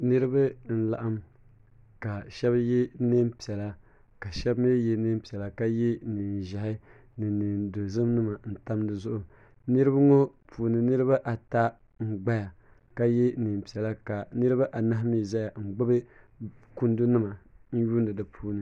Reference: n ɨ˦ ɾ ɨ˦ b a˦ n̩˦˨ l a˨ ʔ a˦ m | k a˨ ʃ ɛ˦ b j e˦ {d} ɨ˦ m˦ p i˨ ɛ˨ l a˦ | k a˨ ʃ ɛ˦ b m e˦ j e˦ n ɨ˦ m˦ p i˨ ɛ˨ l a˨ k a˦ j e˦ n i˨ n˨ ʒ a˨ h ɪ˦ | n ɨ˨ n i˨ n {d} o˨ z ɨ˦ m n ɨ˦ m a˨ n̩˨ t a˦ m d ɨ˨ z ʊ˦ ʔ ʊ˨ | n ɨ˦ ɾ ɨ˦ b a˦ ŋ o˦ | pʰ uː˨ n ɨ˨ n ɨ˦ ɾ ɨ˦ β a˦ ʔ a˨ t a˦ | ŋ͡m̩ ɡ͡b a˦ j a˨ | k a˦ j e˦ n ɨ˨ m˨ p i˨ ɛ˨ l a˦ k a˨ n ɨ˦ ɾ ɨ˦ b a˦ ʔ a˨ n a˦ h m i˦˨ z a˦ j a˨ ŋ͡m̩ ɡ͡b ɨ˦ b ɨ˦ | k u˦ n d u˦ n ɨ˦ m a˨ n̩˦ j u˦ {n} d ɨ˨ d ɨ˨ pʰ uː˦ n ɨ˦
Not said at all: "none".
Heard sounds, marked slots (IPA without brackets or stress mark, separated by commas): n, d, n